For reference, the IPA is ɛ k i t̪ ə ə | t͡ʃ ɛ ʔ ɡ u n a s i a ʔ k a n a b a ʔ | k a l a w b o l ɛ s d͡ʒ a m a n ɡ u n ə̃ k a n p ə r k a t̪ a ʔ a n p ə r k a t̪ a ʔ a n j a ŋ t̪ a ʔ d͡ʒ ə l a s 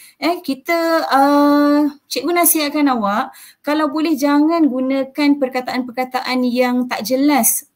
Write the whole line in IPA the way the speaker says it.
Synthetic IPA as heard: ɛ k i t̪ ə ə | t͡ʃ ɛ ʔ ɡ u n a s i a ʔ k a n a w a ʔ | k a l a w b o l ɛ h d͡ʒ a ŋ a n ɡ u n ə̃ k a n p ə r k a t̪ a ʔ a n p ə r k a t̪ a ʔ a n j a ŋ t̪ a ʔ d͡ʒ ə l a s